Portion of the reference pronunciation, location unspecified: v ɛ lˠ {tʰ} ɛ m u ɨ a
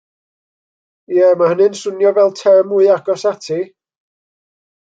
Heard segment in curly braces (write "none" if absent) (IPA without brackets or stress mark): tʰ